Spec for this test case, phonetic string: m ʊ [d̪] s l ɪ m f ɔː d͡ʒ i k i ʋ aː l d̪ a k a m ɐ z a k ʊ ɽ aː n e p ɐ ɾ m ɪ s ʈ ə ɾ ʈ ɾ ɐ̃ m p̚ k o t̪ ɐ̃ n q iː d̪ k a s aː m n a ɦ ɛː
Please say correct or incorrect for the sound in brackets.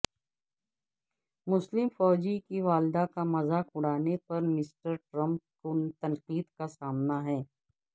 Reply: incorrect